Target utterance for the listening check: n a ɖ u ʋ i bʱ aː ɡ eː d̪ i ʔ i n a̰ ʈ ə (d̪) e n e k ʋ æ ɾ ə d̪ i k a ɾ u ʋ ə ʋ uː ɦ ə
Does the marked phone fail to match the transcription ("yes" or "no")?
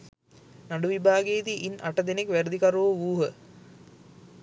no